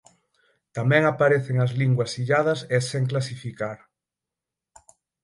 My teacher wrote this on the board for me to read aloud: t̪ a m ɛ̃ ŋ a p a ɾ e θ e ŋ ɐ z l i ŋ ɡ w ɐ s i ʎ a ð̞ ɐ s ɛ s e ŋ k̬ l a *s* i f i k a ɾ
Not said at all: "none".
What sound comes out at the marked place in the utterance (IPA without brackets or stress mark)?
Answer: s